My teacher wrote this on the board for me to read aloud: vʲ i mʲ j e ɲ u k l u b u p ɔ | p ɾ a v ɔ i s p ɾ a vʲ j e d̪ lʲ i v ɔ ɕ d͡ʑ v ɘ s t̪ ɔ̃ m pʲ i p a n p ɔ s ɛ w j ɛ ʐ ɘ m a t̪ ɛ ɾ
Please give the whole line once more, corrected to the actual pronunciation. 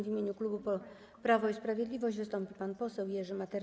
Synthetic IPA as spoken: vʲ i mʲ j e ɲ u k l u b u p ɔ | p ɾ a v ɔ i s p ɾ a vʲ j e d̪ lʲ i v ɔ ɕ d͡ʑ v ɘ s t̪ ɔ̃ m pʲ i p a n p ɔ s ɛ w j ɛ ʐ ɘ m a t̪ ɛ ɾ